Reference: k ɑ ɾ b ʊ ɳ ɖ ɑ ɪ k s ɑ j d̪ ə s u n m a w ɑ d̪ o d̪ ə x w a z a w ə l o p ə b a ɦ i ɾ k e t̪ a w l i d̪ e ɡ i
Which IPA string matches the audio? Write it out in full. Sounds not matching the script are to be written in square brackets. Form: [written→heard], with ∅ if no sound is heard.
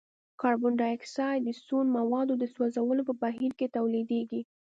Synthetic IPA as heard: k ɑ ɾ b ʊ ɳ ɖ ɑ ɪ k s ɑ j d̪ ə s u n m a w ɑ d̪ o d̪ ə [x→s] w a z a w ə l o p ə b a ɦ i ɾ k e t̪ a w l i d̪ e ɡ i